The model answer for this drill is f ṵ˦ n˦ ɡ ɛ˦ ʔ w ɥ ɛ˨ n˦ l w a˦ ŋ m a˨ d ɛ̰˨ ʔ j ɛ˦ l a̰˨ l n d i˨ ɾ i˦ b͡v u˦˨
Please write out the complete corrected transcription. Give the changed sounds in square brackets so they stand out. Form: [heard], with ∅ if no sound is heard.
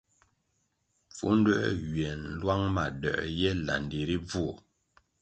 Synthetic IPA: f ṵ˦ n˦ [d] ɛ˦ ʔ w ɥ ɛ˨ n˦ l w a˦ ŋ m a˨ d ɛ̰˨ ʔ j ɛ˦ l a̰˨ [∅] n d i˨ ɾ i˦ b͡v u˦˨

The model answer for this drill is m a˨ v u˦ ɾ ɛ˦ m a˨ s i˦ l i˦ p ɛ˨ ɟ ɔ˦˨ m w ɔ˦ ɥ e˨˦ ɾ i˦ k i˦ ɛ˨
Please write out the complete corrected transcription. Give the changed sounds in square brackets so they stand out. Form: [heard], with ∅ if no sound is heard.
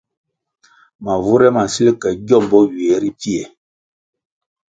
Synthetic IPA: m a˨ v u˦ ɾ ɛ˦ m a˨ s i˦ l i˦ [k] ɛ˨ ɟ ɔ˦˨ m [b] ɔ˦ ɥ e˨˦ ɾ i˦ [p] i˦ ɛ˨

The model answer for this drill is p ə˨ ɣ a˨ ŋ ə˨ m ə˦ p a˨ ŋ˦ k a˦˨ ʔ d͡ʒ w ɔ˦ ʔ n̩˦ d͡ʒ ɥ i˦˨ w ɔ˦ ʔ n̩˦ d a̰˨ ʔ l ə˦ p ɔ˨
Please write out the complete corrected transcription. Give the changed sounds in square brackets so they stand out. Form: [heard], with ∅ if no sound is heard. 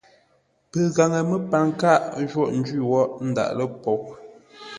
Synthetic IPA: p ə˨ ɣ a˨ ŋ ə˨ m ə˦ p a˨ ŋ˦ k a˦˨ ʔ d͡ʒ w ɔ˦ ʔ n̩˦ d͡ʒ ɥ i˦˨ w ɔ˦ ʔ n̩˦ d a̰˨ ʔ l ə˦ p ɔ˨

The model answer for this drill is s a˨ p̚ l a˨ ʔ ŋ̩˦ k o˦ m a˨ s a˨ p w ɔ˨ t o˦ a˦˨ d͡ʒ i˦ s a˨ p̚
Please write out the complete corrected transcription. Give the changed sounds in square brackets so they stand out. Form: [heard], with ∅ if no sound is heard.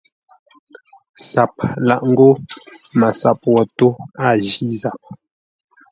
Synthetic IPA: s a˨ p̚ l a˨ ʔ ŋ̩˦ [ɡ] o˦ m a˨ s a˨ p w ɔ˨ t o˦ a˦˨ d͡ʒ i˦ [z] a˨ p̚

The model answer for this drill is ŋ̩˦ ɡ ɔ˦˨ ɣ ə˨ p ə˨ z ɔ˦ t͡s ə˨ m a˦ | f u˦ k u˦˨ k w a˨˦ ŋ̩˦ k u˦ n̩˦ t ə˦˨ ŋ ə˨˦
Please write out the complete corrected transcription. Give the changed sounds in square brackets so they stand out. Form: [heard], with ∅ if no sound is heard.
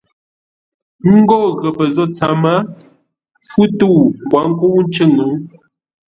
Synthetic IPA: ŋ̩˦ ɡ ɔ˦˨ ɣ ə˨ p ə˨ z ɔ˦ t͡s [a˨] m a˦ | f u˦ [t] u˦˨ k w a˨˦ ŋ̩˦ k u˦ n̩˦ [t͡ʃ] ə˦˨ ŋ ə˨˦

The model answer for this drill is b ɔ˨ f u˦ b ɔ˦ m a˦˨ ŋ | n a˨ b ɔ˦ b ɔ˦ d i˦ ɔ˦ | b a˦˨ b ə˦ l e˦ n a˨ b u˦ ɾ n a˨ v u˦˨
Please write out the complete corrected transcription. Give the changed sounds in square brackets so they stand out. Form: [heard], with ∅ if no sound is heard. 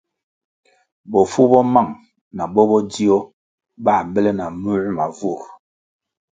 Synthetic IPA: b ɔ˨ f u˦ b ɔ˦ m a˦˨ ŋ | n a˨ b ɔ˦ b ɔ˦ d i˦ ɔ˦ | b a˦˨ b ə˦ l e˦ n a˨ [m] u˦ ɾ [m] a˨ v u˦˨

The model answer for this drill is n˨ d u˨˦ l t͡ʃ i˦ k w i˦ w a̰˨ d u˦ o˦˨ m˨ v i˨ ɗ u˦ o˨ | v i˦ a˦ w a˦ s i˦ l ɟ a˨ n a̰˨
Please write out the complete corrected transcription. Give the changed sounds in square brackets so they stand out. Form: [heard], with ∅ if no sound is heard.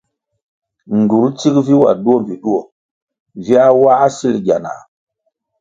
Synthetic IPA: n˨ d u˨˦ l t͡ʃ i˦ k [v] i˦ w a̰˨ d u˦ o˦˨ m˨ v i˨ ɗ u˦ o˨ | v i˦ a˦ w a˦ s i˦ l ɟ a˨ n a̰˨

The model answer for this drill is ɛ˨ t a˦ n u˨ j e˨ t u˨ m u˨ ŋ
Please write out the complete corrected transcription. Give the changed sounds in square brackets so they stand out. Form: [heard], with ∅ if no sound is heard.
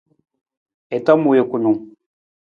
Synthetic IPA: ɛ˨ t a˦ [m] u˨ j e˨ [k] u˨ [n] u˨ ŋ

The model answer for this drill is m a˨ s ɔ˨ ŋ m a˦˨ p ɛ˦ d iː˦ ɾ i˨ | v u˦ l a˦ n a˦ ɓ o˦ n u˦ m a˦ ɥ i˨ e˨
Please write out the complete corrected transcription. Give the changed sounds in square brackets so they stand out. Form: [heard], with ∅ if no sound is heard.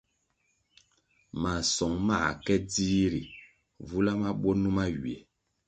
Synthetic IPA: m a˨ s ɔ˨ ŋ m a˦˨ [k] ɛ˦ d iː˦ ɾ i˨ | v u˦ l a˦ [m] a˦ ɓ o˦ n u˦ m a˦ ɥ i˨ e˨

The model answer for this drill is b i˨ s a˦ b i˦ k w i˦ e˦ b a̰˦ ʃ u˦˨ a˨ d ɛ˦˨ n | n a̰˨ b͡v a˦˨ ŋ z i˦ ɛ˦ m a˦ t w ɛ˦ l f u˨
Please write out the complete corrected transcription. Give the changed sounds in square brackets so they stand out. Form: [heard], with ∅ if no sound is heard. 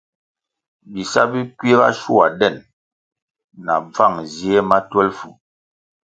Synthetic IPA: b i˨ s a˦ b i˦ k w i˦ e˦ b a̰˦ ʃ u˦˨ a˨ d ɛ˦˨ n | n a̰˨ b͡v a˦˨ ŋ z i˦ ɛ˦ m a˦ t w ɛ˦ l f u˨

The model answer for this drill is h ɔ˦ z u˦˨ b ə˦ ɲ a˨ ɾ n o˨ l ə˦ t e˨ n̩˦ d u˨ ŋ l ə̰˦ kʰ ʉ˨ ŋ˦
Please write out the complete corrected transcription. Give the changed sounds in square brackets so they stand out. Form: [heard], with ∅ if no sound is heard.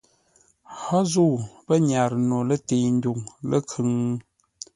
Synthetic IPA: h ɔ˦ z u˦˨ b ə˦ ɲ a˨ ɾ n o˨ l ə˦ t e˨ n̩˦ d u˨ ŋ l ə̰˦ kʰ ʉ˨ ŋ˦

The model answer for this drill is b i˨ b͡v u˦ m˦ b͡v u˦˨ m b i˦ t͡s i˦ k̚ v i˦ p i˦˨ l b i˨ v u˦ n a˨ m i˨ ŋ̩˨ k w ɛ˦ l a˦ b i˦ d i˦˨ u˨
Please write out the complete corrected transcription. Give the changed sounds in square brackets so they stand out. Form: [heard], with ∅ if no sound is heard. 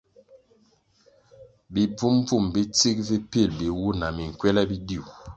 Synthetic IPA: b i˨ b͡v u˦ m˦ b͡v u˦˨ m b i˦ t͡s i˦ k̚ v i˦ p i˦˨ l b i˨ [w] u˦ n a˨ m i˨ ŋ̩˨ k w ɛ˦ l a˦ b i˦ d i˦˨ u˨

